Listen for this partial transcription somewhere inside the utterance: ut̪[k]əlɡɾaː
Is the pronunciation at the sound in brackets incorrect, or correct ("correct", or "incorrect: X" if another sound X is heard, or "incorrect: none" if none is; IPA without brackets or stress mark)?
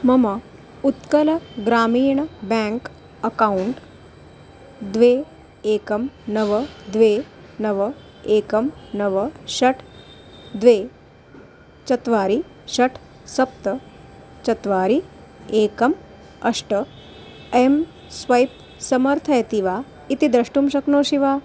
correct